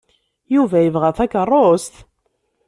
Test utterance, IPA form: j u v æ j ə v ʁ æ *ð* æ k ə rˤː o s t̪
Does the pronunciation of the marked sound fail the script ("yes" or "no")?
yes